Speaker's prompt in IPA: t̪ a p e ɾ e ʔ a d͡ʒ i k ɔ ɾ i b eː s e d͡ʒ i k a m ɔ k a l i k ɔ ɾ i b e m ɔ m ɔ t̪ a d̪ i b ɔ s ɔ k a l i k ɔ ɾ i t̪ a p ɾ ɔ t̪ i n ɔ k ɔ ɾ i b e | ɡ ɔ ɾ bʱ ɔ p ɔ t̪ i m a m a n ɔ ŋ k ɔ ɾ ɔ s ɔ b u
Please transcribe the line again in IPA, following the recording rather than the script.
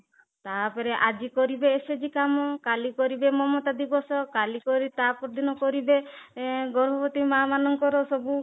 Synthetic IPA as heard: t̪ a p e ɾ e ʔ a d͡ʒ i k ɔ ɾ i b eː s e d͡ʒ i k a m ɔ k a l i k ɔ ɾ i b e m ɔ m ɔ t̪ a d̪ i b ɔ s ɔ k a l i k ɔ ɾ i t̪ a p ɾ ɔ d̪ i n ɔ k ɔ ɾ i b e | ɡ ɔ ɾ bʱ ɔ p ɔ t̪ i m a m a n ɔ ŋ k ɔ ɾ ɔ s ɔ b u